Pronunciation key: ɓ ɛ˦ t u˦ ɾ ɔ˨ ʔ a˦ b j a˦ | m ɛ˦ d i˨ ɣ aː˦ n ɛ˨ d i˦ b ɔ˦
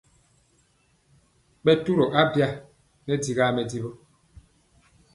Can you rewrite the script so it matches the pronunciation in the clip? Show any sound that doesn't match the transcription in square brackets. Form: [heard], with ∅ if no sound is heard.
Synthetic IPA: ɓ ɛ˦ t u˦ ɾ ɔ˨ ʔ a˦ b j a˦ | [n] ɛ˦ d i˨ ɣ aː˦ [m] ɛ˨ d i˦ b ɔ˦